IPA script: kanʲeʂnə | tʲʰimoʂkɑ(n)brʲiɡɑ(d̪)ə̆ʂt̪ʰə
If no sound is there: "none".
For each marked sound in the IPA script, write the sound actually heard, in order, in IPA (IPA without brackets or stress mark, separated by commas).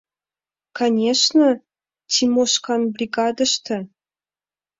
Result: n, d̪